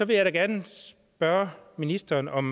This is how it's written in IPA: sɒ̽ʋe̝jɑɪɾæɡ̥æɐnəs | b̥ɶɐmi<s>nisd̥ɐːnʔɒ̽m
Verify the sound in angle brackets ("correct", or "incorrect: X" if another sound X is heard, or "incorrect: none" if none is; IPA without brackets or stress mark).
incorrect: none